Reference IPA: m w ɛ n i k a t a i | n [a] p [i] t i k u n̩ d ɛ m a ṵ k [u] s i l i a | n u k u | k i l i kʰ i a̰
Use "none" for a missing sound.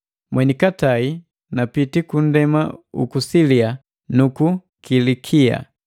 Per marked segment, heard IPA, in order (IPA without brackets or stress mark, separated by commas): a, i, u